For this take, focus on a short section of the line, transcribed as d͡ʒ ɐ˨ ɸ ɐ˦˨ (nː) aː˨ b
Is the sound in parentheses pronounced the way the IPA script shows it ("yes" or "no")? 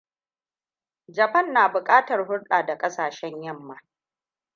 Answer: yes